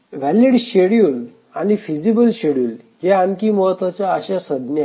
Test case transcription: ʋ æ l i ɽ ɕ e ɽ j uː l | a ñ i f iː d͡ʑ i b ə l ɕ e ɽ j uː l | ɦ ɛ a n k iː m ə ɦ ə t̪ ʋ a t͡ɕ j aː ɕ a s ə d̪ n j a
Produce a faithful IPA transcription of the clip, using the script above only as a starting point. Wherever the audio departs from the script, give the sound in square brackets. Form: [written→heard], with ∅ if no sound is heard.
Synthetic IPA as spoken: ʋ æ l i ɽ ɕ e ɽ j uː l | a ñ i f [iː→i] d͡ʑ i b ə l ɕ e ɽ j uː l | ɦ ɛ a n k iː m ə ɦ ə t̪ ʋ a t͡ɕ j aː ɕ a s ə d̪ n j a